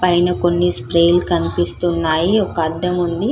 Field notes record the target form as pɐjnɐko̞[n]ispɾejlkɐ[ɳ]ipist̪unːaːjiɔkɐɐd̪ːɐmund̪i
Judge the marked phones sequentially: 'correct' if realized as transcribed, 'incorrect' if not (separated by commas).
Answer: incorrect, incorrect